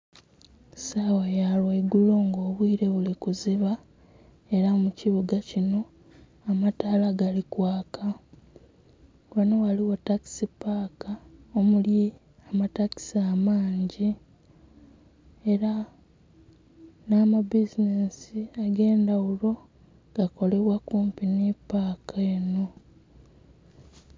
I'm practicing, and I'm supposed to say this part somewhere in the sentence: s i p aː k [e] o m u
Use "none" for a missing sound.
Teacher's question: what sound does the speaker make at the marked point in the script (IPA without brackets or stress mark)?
a